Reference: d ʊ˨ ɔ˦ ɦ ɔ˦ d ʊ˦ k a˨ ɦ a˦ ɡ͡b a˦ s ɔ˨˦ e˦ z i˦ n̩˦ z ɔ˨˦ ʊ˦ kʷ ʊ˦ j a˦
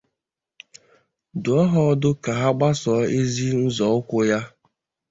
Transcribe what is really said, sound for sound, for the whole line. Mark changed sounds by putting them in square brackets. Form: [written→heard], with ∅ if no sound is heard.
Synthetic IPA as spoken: d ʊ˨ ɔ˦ ɦ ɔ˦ d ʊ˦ k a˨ ɦ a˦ ɡ͡b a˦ s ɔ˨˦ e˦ z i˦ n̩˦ z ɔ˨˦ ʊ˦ kʷ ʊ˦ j a˦